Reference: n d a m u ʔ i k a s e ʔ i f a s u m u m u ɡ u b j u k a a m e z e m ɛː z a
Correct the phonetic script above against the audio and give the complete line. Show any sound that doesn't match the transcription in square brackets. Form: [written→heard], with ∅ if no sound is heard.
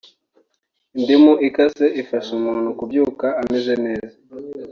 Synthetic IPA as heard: n d [a→i] m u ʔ i k a s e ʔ i f a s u m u [m→n] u [ɡ→k] u b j u k a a m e z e [m→n] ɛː z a